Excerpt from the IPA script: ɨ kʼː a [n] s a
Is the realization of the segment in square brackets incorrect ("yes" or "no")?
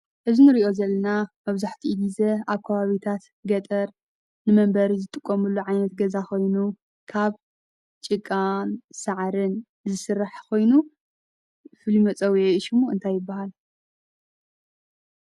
no